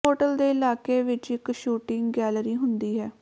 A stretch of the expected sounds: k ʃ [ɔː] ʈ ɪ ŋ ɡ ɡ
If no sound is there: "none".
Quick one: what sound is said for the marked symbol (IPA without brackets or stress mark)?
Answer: uː